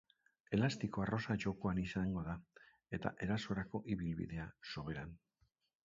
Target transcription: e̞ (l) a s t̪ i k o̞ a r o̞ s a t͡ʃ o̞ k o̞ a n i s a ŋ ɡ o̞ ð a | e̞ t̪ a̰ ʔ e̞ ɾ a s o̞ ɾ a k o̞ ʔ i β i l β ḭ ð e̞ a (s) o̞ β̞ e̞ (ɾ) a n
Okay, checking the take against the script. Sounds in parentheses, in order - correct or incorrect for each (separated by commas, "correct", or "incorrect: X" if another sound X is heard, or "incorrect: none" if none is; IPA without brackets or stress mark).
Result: correct, correct, correct